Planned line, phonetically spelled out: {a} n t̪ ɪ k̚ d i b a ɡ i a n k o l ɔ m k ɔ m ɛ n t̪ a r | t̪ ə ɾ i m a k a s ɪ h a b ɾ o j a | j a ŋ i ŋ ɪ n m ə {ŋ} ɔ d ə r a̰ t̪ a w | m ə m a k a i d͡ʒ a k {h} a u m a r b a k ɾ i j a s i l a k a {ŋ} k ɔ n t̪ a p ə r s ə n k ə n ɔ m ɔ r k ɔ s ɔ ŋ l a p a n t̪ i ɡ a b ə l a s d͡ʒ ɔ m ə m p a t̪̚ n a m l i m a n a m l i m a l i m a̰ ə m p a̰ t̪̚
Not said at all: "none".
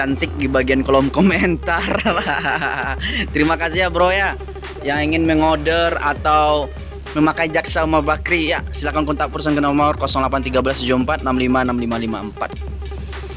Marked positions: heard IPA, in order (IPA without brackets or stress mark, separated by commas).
a, ŋ, s, n